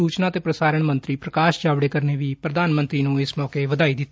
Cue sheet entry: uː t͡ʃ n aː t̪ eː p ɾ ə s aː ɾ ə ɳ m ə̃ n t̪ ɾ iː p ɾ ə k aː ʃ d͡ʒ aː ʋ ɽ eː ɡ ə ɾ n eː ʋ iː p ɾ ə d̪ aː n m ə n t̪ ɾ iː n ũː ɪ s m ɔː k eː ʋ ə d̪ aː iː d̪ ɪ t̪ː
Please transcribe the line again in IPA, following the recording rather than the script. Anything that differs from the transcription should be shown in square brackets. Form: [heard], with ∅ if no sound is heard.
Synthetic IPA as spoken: uː t͡ʃ n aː t̪ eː p ɾ ə s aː ɾ ə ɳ m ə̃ n t̪ ɾ iː p ɾ ə k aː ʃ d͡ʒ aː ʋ ɽ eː [k] ə ɾ n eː ʋ iː p ɾ ə d̪ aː n m ə n t̪ ɾ iː n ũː ɪ s m ɔː k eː ʋ ə d̪ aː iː d̪ ɪ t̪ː